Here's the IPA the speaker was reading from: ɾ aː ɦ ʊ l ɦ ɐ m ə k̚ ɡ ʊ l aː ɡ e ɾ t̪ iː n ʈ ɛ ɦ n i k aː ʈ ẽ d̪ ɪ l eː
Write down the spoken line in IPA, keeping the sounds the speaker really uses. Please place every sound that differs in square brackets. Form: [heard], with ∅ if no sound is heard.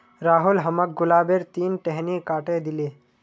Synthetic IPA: ɾ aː ɦ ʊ l ɦ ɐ m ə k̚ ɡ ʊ l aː [b] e ɾ t̪ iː n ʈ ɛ ɦ n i k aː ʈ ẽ d̪ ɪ l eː